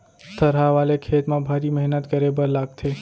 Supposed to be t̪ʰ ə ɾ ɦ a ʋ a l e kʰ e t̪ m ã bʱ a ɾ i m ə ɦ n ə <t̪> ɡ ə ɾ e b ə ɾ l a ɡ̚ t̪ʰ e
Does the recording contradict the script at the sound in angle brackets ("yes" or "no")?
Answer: no